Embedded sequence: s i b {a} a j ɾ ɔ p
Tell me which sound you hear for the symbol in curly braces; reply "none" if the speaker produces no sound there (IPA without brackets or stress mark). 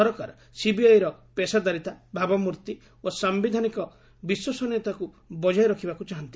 i